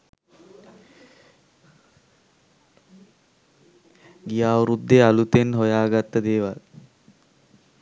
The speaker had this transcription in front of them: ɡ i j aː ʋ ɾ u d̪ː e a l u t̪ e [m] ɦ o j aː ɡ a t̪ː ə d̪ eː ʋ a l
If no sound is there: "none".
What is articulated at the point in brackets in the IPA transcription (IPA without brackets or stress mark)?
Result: n